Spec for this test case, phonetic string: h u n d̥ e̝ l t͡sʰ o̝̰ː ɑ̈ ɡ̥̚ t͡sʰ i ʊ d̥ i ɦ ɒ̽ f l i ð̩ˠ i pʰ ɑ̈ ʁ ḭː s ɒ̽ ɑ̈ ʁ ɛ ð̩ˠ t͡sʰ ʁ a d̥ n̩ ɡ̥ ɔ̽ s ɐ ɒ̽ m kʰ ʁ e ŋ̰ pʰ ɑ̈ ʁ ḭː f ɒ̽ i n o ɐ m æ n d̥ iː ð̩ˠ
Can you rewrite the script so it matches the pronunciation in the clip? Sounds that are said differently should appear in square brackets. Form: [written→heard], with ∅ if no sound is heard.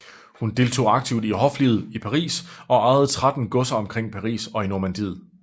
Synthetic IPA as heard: h u n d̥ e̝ l t͡sʰ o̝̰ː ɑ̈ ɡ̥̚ t͡sʰ i ʊ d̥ i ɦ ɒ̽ f l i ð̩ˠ i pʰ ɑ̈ ʁ ḭː s ɒ̽ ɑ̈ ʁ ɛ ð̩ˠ t͡sʰ ʁ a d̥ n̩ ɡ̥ ɔ̽ s ɐ ɒ̽ m kʰ ʁ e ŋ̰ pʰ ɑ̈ ʁ ḭː [f→s] ɒ̽ i n o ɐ m æ n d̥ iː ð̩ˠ